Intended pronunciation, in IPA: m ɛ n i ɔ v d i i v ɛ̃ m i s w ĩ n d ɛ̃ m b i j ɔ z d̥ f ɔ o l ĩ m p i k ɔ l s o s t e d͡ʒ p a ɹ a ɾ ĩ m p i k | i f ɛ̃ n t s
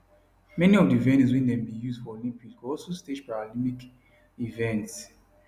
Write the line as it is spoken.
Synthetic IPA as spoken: m ɛ n i ɔ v d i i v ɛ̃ n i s w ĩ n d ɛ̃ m b i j u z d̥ f ɔ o l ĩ m p i k ɔ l s o s t e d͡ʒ p a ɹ a l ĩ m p i k | i v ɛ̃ n t s